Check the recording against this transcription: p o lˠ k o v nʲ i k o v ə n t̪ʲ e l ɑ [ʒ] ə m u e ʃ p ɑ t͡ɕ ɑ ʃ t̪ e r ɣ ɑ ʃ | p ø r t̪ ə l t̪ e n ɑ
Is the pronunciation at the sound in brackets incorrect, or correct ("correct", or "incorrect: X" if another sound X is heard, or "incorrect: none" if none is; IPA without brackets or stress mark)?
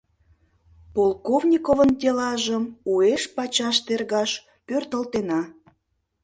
correct